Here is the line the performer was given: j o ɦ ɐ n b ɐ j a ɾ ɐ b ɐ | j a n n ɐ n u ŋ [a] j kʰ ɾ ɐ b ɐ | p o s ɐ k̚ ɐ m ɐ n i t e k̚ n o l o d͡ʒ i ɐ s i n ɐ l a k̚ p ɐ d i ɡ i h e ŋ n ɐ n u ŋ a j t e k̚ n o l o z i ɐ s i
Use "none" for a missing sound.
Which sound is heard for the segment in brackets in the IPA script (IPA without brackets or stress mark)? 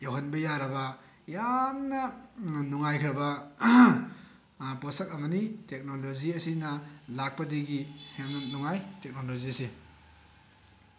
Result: a